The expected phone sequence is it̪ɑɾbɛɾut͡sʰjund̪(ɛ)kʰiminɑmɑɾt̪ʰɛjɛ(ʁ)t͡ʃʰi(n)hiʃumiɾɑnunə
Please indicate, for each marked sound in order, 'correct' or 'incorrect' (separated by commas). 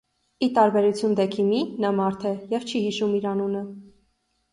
correct, incorrect, incorrect